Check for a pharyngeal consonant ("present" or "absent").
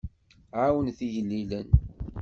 present